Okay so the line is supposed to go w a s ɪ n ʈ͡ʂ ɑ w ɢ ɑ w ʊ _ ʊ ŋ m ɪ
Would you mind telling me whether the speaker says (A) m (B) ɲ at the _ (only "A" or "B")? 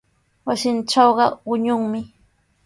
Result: B